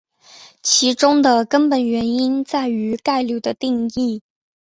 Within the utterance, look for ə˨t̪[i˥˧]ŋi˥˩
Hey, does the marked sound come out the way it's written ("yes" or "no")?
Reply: yes